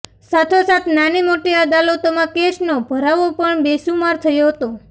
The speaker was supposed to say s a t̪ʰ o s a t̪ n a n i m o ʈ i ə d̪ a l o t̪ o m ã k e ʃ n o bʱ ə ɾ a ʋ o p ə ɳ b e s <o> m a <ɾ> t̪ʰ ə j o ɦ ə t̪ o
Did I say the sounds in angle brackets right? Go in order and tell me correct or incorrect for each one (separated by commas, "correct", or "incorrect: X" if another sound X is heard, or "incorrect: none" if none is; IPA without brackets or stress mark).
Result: incorrect: u, correct